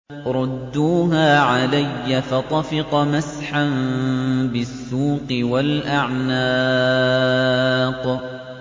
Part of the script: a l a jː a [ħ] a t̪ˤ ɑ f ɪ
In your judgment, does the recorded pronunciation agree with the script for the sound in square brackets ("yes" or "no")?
no